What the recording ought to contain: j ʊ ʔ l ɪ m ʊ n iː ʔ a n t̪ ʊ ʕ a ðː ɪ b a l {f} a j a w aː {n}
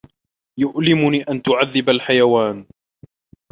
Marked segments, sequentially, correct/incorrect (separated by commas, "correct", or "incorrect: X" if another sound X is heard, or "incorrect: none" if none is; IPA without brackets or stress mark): incorrect: ħ, correct